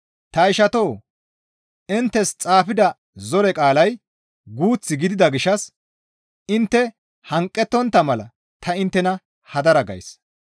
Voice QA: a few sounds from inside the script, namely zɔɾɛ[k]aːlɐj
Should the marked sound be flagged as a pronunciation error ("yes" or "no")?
yes